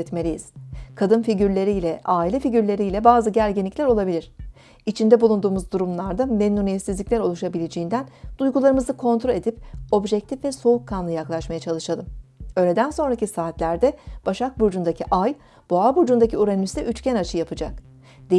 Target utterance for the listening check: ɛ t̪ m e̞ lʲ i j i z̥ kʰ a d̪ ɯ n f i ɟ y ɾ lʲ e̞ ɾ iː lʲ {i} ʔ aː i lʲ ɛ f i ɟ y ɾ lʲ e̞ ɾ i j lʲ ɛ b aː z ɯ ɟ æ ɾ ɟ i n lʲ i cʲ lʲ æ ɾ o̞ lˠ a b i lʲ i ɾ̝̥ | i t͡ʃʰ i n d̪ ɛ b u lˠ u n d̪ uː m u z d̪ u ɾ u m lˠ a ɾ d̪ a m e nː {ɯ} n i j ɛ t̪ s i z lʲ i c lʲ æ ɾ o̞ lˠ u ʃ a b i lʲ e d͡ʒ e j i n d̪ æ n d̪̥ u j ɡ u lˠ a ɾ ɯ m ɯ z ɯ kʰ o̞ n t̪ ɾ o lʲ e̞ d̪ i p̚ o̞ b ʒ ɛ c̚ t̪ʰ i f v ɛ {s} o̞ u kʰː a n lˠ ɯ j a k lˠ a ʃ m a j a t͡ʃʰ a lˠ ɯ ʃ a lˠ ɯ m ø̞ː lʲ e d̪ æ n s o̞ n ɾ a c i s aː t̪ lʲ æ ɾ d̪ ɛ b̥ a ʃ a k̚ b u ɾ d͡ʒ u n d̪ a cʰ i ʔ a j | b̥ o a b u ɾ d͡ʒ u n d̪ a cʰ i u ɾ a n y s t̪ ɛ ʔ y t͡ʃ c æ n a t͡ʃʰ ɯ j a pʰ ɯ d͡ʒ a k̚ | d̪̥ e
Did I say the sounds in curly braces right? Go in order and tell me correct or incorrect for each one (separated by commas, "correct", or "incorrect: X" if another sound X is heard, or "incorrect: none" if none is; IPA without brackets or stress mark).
incorrect: ɛ, incorrect: u, correct